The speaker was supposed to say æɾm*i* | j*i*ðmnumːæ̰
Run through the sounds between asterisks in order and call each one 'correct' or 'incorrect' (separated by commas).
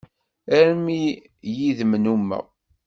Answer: correct, correct